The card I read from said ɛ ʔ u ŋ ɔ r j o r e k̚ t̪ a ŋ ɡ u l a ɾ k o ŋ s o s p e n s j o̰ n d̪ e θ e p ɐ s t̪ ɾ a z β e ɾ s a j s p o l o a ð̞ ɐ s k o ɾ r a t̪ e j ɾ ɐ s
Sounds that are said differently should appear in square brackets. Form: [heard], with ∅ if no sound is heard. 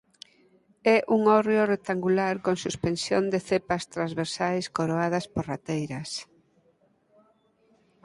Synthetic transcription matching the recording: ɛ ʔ u ŋ ɔ r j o r e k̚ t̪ a ŋ ɡ u l a ɾ k o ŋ s [u] s p e n s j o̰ n d̪ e θ e p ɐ s t̪ ɾ a z β e ɾ s a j s [k] o [ɾ] o a ð̞ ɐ s [p] o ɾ r a t̪ e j ɾ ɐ s